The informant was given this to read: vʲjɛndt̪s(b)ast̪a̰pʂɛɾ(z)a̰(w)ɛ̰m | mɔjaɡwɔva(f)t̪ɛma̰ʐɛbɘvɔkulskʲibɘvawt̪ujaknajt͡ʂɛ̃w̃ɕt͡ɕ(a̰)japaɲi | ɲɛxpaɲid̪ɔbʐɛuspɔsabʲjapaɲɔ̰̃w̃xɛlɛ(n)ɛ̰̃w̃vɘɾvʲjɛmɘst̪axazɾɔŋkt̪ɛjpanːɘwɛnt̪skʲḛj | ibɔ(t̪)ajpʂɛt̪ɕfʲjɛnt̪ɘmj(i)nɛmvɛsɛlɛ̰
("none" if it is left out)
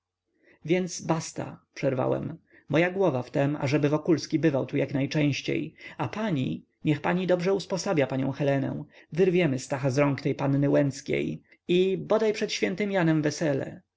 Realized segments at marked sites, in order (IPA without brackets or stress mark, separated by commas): b, v, w, f, ḛ, n, d̪, a